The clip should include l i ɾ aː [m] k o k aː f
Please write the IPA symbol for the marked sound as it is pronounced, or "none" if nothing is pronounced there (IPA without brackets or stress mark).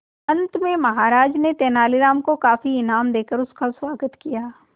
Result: m